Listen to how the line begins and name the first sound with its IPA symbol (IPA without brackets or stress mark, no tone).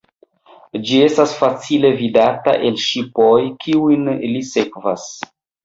d͡ʒ